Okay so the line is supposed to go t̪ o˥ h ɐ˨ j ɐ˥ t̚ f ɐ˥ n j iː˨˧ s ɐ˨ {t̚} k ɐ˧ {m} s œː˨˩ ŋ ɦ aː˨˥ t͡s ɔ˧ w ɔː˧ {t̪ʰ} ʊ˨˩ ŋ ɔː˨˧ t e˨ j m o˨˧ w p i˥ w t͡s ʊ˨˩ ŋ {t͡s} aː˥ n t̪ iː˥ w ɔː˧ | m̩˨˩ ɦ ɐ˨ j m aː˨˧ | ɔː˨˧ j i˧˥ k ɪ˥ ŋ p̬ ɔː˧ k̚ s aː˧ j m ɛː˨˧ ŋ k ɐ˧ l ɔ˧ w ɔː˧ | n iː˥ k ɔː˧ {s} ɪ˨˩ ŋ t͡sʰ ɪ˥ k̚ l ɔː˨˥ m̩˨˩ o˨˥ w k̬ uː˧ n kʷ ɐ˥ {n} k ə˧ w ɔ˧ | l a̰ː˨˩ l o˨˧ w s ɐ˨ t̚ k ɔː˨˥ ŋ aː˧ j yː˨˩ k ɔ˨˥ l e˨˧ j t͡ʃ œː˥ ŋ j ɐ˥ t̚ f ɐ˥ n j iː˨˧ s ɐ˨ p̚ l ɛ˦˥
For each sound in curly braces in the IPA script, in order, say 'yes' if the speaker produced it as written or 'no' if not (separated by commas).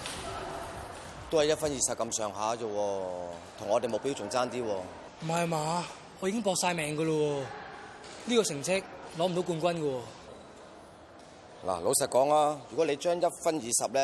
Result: no, yes, yes, yes, yes, yes